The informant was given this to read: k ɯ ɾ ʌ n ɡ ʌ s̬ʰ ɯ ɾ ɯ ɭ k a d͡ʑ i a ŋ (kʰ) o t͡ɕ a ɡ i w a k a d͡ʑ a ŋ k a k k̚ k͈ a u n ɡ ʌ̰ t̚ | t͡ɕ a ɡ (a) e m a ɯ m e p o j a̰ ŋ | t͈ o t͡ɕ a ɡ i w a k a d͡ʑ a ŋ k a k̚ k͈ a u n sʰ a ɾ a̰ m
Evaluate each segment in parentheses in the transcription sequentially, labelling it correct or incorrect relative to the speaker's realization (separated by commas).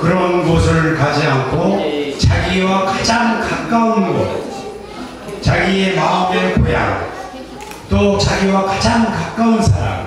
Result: correct, incorrect